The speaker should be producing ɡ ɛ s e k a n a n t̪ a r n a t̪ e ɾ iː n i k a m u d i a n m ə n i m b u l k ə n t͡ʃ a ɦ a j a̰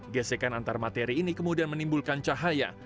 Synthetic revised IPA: ɡ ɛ s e k a n a n t̪ a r m a t̪ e ɾ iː n i k ə m u d i a n m ə n i m b u l k a n t͡ʃ a ɦ a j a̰